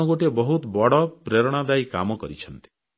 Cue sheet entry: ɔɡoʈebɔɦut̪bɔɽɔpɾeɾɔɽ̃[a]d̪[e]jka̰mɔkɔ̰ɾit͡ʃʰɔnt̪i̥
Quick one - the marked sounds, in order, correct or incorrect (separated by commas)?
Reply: correct, incorrect